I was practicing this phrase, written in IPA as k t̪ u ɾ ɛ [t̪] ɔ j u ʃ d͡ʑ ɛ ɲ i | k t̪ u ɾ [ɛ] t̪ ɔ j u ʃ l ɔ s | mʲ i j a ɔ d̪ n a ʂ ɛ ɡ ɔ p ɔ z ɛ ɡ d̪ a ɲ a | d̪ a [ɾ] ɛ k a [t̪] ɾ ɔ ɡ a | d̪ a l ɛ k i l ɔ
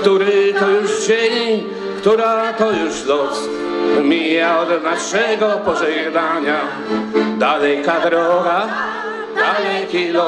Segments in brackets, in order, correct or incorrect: correct, incorrect: a, incorrect: l, incorrect: d̪

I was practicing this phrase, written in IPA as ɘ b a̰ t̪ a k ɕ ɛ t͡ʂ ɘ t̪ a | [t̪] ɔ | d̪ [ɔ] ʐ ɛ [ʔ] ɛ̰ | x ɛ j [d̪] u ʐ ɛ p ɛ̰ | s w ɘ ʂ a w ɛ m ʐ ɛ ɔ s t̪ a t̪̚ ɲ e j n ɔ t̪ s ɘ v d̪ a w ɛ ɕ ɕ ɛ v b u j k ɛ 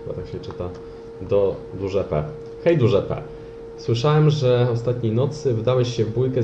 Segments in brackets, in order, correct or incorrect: incorrect: d̪, incorrect: u, incorrect: p, correct

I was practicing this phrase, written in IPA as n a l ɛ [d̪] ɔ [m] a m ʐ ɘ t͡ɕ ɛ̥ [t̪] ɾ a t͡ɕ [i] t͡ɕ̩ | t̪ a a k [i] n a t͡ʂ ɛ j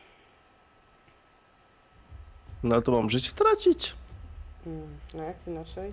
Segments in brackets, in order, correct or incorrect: incorrect: t̪, correct, correct, correct, correct

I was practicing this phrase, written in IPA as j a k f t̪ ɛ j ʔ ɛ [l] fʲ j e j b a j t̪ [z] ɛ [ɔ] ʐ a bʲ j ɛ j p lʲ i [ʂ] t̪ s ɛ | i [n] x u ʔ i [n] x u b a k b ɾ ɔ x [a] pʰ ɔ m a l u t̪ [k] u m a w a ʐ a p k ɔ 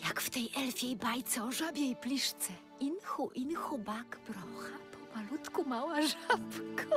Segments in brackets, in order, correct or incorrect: correct, incorrect: s, correct, correct, correct, correct, correct, correct

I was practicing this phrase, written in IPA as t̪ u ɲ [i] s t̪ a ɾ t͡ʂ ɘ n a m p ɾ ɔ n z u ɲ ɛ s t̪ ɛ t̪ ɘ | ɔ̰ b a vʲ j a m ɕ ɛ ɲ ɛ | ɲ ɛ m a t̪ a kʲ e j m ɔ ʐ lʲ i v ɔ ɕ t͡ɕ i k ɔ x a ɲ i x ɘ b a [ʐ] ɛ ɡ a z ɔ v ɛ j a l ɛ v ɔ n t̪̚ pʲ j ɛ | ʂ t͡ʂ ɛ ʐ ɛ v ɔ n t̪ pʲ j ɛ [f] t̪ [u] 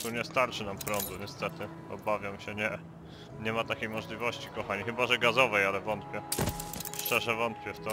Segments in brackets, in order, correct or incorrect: incorrect: ɛ, correct, correct, incorrect: ɔ

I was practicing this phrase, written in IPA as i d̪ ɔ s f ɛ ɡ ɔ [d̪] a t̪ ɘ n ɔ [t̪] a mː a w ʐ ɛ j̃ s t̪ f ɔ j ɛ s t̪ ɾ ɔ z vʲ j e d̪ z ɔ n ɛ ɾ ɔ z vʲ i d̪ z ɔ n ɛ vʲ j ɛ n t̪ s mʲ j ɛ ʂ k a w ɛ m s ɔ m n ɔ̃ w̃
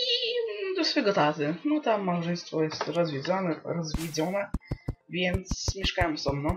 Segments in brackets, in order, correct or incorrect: incorrect: t̪, correct

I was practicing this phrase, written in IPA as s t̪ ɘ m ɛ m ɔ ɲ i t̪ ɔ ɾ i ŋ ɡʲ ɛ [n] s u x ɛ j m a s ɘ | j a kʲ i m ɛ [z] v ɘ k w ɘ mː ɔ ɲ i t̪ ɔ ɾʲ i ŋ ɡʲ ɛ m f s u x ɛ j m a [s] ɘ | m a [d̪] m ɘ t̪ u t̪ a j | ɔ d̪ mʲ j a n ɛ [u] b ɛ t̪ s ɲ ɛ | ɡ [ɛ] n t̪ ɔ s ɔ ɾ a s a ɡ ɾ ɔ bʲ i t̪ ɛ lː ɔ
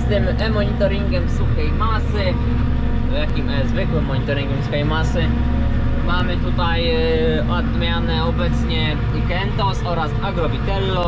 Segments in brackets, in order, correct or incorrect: incorrect: m, correct, correct, incorrect: none, incorrect: ɔ, correct

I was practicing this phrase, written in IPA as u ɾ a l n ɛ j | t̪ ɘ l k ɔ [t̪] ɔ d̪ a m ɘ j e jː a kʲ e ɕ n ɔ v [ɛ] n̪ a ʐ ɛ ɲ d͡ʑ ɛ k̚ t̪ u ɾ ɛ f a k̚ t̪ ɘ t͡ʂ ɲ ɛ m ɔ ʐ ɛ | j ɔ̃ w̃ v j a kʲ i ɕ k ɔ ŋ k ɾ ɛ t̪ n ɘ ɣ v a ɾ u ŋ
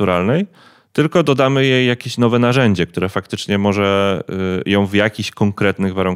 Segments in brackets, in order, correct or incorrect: incorrect: d̪, correct

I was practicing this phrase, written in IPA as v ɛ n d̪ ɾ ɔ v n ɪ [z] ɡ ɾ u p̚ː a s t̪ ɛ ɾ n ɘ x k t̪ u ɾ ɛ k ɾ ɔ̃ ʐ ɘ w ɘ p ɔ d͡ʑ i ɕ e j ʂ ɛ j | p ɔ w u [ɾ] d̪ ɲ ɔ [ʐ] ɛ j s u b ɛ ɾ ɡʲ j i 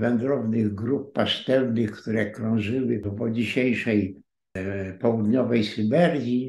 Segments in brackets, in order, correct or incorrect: incorrect: ɣ, incorrect: none, incorrect: v

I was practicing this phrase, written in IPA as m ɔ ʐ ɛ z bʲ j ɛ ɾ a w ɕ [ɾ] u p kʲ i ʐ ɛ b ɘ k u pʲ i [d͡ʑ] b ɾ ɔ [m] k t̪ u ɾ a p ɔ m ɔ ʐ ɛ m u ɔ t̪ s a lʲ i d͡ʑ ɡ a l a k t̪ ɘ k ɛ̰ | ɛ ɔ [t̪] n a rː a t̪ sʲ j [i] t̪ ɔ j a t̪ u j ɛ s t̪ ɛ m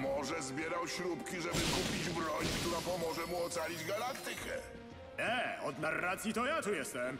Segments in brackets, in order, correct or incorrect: correct, correct, incorrect: ɲ, incorrect: d̪, correct

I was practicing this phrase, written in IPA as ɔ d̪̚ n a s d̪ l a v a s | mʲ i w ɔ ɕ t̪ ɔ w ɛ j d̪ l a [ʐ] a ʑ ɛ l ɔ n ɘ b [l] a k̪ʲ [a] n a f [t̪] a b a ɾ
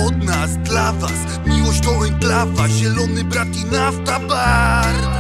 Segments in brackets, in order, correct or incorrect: incorrect: v, incorrect: ɾ, incorrect: i, correct

